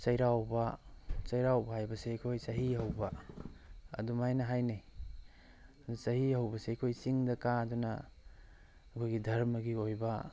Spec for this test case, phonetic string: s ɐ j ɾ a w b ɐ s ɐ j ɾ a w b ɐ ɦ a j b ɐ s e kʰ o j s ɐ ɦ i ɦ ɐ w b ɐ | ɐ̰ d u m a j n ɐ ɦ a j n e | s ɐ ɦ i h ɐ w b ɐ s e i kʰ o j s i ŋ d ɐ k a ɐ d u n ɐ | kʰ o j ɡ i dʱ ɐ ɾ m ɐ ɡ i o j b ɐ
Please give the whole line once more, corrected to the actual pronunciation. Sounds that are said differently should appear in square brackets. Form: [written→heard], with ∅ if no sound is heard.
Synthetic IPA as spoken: s ɐ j ɾ a w b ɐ s ɐ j ɾ a w b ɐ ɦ a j b ɐ s e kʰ o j s ɐ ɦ i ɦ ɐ w b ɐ | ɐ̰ d u m a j n ɐ ɦ a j n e | s ɐ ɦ i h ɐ w b ɐ s e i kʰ o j s i ŋ d ɐ k a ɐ d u n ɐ | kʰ o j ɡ i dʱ ɐ ɾ m ɐ ɡ i o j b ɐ